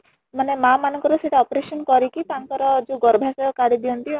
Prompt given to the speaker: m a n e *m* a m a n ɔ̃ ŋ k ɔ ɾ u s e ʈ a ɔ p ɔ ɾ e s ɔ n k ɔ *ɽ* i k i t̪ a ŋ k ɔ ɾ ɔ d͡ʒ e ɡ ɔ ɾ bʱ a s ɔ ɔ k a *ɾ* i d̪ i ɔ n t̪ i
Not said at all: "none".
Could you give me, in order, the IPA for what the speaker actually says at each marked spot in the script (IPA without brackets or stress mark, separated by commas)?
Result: m, ɾ, ɽ